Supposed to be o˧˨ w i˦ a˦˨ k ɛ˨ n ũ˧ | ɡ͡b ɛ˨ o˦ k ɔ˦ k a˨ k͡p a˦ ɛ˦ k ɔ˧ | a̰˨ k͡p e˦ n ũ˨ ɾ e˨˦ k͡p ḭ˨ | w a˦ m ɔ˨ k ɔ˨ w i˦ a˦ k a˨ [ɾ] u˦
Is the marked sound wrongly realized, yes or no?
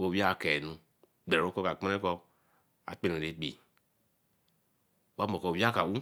yes